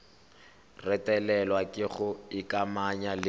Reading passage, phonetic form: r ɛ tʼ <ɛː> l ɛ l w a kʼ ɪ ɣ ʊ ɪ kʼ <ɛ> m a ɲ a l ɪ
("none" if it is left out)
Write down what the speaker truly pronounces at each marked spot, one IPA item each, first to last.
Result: ɛ, a

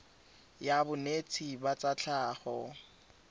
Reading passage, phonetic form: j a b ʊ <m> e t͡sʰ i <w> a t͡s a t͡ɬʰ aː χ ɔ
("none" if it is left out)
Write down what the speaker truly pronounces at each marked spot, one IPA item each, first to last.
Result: n, b

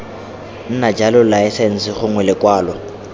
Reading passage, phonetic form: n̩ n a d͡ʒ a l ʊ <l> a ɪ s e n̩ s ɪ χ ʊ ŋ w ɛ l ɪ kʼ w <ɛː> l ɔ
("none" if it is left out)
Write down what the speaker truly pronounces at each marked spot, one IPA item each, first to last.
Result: l, aː

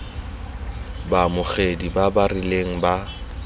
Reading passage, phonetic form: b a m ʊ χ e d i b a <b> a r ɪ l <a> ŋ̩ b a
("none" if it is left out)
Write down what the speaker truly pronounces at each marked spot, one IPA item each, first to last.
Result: b, e

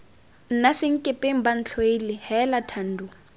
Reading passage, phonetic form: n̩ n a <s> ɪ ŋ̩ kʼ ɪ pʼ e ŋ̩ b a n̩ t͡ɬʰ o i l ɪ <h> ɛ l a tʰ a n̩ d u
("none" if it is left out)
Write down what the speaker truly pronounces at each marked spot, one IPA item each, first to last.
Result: s, h

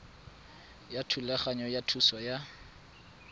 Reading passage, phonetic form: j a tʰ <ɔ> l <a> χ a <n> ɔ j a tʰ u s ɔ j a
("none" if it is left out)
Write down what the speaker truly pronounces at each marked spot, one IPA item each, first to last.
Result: u, ɛ, ɲ

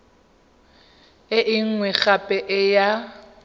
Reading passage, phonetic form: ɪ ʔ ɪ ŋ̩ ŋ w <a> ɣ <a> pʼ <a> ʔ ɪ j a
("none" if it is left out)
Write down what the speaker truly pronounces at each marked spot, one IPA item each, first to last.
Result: ɛ, a, ɛ

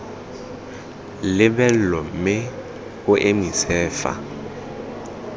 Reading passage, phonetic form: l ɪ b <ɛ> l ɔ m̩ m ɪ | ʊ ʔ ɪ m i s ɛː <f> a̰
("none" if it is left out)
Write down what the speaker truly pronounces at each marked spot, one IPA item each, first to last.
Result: ɛ, f

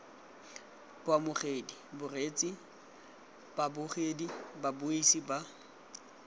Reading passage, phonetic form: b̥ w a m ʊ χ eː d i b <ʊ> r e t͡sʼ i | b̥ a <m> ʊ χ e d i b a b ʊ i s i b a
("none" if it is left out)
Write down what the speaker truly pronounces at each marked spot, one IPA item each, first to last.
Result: ʊ, b

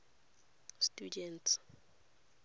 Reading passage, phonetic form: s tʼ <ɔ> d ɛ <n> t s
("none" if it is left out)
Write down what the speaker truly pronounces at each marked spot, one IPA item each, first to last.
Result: u, n

